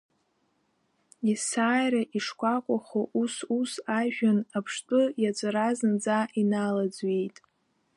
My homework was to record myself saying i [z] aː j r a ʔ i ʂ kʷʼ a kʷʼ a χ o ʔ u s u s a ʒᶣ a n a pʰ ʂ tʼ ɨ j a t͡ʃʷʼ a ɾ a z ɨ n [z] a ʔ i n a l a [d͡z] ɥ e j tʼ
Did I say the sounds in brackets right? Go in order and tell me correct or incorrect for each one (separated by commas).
incorrect, incorrect, correct